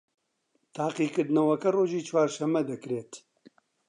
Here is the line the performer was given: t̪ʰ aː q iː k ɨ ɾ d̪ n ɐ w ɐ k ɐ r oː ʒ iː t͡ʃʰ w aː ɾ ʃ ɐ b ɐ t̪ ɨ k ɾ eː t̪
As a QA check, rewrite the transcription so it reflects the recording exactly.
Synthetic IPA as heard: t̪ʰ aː q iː k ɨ ɾ d̪ n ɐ w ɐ k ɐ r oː ʒ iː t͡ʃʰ w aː ɾ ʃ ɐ m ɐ d̪ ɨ k ɾ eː t̪